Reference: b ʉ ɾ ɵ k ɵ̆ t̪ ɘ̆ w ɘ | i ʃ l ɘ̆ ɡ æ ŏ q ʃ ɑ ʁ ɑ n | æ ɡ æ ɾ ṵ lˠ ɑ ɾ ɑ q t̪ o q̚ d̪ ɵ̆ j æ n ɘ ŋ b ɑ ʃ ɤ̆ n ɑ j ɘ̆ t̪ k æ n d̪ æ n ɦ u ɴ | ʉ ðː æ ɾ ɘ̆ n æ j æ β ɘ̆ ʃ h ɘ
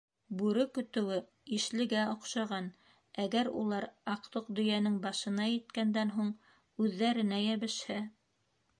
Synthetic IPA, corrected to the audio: b ʉ ɾ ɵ k ɵ̆ t̪ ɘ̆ w ɘ | i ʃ l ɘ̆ ɡ æ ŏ q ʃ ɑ ʁ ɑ n | æ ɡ æ ɾ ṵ lˠ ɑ ɾ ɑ q t̪ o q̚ d̪ ɵ̆ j æ n ɘ ŋ b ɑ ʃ ɤ̆ n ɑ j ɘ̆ t̪ k æ n d̪ æ n ɦ u ɴ | ʉ ðː æ ɾ ɘ̆ n æ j æ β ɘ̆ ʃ h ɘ